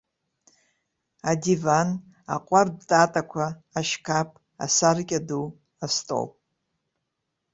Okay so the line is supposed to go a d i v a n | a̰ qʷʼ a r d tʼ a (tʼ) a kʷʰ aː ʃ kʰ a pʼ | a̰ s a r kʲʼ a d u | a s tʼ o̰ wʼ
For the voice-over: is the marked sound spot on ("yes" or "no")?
yes